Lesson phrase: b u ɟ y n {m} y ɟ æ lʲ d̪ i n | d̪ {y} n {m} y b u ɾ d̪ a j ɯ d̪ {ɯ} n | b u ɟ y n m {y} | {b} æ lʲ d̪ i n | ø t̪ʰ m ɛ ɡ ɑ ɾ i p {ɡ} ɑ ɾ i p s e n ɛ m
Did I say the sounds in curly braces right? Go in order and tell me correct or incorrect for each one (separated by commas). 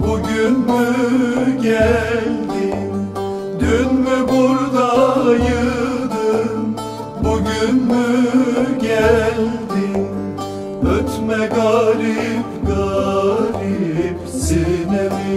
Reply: correct, correct, correct, correct, correct, incorrect, correct